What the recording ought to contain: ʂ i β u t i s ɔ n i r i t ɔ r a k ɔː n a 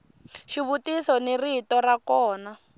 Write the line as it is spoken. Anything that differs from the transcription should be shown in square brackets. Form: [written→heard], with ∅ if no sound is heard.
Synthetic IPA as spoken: [ʂ→ʃ] i β u t i s ɔ n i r i t ɔ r a k ɔː n a